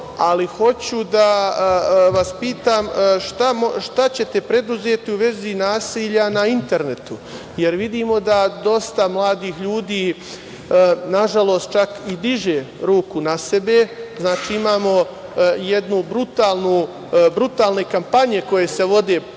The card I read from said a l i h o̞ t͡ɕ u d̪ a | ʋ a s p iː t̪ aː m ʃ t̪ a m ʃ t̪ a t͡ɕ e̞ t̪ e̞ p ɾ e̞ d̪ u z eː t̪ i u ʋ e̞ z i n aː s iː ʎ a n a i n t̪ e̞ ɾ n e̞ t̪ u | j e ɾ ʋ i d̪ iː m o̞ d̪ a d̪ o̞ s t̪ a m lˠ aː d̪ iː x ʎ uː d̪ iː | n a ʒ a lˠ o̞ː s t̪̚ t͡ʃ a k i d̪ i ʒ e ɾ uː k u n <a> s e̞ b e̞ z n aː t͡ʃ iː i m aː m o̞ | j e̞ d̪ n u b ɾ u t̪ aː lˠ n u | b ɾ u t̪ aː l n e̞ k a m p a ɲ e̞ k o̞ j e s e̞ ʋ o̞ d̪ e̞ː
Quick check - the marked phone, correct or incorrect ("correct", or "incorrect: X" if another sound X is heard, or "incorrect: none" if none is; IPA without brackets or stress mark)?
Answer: correct